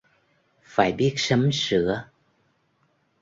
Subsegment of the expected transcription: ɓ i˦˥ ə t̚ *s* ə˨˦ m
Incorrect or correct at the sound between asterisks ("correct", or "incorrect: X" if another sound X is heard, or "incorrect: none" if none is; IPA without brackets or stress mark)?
correct